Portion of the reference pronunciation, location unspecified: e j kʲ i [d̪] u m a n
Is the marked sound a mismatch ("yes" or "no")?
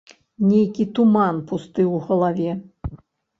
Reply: yes